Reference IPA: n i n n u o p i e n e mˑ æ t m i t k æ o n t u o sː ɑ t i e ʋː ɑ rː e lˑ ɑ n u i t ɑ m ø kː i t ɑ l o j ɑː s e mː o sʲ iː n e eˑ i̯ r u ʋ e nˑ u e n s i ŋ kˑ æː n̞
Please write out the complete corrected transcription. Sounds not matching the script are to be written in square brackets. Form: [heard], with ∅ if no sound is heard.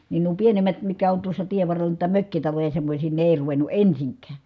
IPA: n i n n u o p i e n e mˑ æ t m i t k æ o n t u o sː ɑ t i e ʋː ɑ rː e lˑ ɑ n u i t ɑ m ø kː i t ɑ l o j [ɑ] s e mː o sʲ iː n e eˑ i̯ r u ʋ e nˑ u e n s i ŋ kˑ æː n̞